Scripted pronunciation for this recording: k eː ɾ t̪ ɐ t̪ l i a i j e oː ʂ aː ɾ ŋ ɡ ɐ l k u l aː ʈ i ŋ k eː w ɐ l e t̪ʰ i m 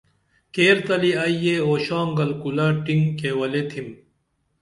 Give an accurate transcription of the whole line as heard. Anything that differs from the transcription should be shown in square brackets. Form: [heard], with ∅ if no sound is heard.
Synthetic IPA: k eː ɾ t̪ ɐ [∅] l i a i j e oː [ɕ] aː [∅] ŋ ɡ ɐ l k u l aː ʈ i ŋ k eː w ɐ l e t̪ʰ i m